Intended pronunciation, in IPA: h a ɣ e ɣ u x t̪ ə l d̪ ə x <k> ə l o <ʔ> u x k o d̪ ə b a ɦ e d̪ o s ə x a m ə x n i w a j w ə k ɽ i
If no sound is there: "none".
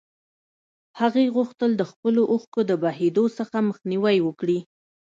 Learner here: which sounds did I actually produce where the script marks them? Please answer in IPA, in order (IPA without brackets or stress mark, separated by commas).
p, ʔ